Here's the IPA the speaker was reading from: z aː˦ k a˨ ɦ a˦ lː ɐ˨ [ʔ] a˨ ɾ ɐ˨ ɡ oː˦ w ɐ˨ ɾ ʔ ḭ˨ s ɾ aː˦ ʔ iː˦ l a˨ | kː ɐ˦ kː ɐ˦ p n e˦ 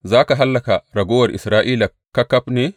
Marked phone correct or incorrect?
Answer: incorrect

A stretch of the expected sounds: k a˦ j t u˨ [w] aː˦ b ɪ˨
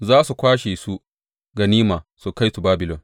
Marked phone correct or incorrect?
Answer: incorrect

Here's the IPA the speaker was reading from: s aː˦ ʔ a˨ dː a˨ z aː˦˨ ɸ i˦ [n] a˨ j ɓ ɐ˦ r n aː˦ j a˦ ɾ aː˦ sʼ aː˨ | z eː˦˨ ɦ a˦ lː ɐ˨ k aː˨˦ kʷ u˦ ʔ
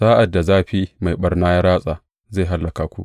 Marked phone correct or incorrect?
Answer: incorrect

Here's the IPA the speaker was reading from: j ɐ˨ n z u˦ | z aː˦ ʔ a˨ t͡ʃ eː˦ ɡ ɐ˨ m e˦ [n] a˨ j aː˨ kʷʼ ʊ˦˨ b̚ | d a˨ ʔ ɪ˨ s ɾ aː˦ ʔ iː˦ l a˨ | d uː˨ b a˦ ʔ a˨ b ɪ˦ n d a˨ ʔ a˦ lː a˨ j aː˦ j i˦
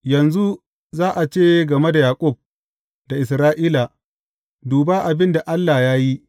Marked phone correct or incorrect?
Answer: incorrect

